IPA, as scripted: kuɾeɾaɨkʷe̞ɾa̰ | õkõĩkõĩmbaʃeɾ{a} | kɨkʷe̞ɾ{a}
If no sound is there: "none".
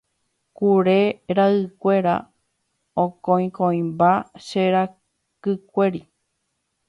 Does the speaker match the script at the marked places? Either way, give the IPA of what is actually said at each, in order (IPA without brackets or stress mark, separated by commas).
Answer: a, i